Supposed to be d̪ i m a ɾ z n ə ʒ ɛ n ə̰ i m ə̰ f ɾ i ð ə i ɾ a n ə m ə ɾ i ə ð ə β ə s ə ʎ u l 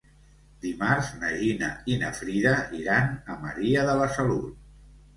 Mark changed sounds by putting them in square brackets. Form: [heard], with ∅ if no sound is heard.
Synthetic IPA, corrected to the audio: d̪ i m a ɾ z n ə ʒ [i] n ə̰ i [n] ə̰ f ɾ i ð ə i ɾ a n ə m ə ɾ i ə ð ə β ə s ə [l] u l